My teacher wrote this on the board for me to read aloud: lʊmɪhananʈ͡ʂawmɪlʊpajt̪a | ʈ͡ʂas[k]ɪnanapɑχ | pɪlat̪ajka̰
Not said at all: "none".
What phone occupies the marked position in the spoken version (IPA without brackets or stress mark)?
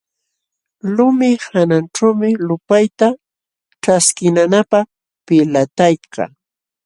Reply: k